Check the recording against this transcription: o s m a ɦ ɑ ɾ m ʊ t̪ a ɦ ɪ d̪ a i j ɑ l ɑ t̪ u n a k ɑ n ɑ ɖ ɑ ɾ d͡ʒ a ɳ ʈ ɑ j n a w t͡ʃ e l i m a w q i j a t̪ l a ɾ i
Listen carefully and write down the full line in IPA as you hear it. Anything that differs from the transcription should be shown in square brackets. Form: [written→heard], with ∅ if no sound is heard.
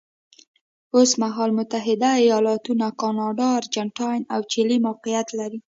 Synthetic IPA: o s m a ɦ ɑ [ɾ→l] m ʊ t̪ a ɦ ɪ d̪ a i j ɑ l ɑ t̪ u n a k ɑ n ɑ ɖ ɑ ɾ d͡ʒ a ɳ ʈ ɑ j n a w t͡ʃ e l i m a w q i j a t̪ l a ɾ i